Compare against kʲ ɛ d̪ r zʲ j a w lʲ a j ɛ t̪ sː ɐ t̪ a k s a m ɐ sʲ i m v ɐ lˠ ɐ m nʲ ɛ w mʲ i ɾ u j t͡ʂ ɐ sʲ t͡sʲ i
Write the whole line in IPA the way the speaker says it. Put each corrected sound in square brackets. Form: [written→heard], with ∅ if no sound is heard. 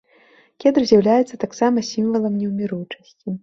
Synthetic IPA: kʲ ɛ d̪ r zʲ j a w lʲ a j ɛ t̪ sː ɐ t̪ a k s a m ɐ sʲ i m v ɐ lˠ ɐ m nʲ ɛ w mʲ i ɾ u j t͡ʂ ɐ sʲ t͡sʲ i